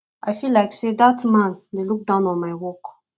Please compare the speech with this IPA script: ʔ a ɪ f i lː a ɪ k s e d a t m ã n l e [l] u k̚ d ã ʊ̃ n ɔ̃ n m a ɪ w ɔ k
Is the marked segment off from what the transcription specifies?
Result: no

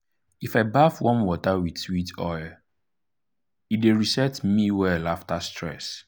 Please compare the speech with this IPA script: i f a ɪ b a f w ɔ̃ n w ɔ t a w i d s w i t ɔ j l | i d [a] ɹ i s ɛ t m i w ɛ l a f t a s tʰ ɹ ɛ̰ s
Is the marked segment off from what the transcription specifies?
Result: yes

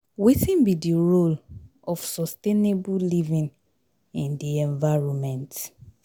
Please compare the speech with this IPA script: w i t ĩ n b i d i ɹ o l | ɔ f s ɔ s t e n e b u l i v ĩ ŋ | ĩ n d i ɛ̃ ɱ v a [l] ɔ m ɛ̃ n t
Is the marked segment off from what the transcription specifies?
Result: yes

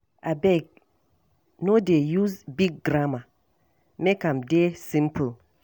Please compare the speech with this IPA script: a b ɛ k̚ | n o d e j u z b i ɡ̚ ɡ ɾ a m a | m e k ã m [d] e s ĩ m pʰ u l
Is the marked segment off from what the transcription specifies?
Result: no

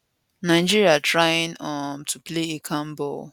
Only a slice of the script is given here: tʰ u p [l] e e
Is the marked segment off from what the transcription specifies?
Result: no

